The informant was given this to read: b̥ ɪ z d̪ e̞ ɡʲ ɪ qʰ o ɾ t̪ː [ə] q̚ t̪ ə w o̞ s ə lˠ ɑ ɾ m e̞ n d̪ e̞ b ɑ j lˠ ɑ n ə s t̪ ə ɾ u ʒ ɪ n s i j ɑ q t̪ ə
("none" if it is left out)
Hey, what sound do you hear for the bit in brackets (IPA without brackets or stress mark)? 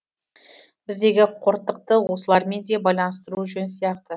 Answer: ə